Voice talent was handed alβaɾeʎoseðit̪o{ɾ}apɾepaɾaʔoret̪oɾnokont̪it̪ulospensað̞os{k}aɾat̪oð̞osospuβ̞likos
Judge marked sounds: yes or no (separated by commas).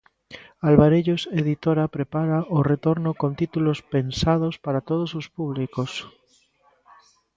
yes, no